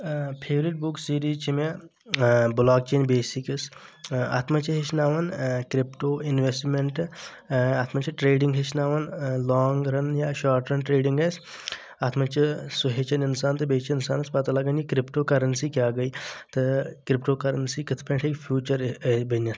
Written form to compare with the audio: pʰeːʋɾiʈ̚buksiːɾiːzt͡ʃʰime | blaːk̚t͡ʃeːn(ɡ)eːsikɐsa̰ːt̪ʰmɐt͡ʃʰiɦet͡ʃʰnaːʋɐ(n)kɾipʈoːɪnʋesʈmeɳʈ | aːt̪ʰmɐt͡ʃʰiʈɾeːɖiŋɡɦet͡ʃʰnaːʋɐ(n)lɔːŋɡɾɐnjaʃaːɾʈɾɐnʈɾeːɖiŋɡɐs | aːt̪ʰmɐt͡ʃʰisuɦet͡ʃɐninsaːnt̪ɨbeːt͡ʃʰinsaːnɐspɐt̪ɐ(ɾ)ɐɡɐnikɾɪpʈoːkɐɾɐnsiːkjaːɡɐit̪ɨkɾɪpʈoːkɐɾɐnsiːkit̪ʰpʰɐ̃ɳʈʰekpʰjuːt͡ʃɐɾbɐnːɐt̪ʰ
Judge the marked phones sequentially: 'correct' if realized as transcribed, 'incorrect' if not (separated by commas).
incorrect, correct, correct, incorrect